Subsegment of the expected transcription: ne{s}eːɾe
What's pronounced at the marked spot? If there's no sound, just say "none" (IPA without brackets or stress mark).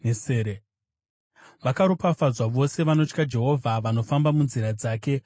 s